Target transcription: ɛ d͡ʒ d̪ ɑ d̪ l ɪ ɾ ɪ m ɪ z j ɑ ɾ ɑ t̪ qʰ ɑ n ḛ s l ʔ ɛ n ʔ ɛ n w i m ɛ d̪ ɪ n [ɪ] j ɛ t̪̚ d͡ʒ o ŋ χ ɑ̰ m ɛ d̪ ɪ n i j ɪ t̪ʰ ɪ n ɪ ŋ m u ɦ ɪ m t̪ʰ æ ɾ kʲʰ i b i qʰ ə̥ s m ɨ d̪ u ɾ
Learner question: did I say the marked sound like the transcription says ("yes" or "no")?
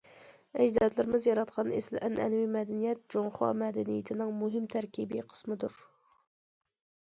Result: no